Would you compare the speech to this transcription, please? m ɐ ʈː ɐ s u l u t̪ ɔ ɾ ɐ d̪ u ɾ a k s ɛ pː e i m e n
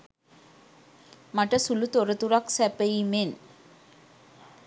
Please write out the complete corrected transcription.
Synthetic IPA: m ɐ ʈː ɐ s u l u t̪ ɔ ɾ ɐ t̪ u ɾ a k s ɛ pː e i m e n